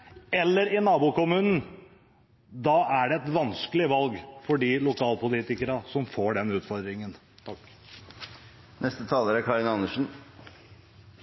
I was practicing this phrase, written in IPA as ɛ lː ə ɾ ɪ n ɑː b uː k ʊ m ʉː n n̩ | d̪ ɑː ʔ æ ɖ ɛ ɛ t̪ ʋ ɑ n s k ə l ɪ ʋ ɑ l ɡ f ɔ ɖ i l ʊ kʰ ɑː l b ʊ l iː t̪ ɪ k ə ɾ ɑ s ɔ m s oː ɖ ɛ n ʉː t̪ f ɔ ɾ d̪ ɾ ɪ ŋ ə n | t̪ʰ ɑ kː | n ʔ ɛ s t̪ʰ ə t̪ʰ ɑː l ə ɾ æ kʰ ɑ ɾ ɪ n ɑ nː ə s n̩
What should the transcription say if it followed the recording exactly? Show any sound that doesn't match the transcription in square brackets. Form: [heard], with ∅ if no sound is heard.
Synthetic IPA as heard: ɛ lː ə ɾ ɪ n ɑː b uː k ʊ m ʉː n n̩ | d̪ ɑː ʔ æ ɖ ɛ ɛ t̪ ʋ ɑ n s k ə l ɪ ʋ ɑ l ɡ f ɔ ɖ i l ʊ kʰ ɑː l [p] ʊ l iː t̪ ɪ k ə ɾ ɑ s ɔ m [f] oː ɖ ɛ n ʉː t̪ f ɔ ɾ d̪ ɾ ɪ ŋ ə n | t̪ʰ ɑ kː | n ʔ ɛ s [t̪] ə t̪ʰ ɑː l ə ɾ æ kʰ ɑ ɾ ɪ n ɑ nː ə [ʂ] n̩